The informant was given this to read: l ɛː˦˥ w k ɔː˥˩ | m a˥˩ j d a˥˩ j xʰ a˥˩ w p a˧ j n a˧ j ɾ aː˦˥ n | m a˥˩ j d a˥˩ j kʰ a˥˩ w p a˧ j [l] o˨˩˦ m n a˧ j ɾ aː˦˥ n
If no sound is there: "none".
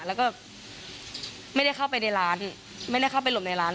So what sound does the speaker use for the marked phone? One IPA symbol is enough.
l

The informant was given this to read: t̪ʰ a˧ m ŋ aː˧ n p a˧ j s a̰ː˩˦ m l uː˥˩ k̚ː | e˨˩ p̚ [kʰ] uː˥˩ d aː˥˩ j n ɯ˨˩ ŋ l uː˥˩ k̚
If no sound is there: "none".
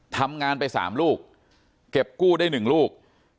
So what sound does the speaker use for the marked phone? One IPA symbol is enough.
k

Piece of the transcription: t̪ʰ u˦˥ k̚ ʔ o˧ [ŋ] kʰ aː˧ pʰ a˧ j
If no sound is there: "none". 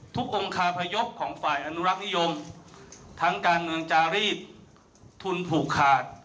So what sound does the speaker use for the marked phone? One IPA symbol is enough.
ŋ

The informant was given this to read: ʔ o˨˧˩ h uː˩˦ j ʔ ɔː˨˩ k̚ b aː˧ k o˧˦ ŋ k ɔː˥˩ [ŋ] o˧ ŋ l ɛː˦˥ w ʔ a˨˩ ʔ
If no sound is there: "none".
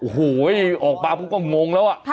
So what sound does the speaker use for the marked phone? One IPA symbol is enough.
ŋ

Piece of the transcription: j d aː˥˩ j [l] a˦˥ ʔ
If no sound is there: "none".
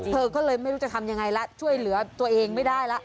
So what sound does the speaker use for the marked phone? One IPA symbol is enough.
l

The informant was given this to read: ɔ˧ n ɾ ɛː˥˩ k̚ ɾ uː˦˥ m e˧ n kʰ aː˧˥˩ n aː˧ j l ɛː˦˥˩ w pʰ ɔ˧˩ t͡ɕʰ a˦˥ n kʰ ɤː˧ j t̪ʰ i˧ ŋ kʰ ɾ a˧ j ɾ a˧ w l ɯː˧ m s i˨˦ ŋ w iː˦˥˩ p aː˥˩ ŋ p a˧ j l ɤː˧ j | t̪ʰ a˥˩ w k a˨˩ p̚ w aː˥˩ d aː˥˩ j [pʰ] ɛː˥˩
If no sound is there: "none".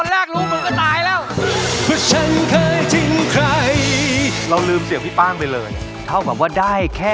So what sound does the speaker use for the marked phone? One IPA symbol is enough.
kʰ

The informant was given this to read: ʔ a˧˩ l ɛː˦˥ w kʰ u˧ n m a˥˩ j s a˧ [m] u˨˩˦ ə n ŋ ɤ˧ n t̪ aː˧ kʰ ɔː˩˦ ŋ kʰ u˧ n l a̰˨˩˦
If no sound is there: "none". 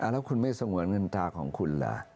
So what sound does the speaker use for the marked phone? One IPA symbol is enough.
ŋ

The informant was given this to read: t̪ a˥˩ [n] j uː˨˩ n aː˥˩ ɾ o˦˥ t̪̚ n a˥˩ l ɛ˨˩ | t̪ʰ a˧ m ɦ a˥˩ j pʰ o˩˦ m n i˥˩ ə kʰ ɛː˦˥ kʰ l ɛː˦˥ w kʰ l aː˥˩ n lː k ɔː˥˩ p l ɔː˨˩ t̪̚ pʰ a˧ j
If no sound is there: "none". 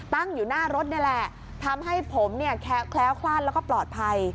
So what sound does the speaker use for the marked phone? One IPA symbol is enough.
ŋ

